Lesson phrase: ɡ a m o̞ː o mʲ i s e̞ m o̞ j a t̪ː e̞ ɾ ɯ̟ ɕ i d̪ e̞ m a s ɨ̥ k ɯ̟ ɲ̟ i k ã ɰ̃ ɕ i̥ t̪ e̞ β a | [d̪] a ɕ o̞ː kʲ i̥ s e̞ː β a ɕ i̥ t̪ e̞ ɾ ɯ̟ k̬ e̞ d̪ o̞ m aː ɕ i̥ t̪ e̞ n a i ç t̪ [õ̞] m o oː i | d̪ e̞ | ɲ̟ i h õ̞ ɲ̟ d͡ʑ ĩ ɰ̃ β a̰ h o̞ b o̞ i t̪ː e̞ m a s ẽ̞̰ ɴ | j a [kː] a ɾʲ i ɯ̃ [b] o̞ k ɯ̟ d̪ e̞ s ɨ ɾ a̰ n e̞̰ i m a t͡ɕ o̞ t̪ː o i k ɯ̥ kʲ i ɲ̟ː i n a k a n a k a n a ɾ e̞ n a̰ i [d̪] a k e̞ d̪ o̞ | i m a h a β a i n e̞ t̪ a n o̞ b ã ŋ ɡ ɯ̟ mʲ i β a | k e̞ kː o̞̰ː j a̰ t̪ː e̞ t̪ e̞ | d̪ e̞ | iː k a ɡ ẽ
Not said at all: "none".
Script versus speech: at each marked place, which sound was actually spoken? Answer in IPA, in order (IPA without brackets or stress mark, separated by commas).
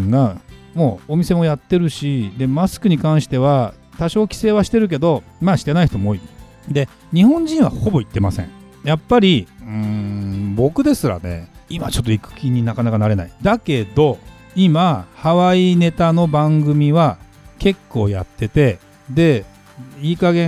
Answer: t̪, o̞, pː, b, d̪